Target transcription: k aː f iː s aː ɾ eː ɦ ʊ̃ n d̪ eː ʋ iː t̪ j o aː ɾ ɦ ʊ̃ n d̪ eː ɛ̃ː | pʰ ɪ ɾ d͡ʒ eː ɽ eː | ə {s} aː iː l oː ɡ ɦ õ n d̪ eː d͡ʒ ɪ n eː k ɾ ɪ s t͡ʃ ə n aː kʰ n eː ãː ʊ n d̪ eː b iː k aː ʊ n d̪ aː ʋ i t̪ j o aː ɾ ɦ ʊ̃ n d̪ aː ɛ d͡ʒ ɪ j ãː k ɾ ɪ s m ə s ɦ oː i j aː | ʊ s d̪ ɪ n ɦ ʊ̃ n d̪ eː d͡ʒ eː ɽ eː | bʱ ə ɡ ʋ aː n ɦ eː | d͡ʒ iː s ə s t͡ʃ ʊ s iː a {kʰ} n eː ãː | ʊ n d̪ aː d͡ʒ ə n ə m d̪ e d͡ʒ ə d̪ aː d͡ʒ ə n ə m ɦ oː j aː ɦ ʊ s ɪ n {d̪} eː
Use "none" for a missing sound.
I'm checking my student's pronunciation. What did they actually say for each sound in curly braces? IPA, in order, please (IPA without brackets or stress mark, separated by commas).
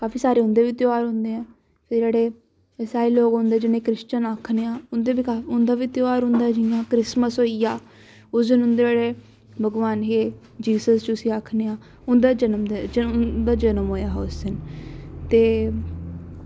s, kʰ, t̪